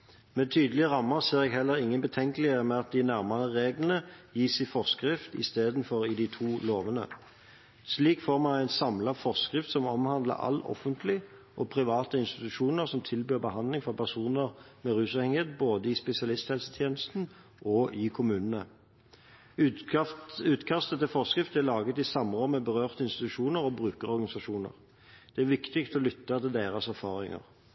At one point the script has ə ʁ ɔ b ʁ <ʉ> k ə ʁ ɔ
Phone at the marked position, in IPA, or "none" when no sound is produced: ʉː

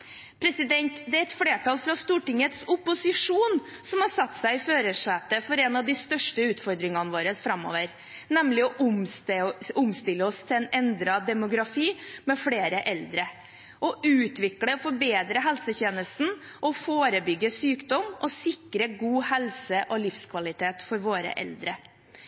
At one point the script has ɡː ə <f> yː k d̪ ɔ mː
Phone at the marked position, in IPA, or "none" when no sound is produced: s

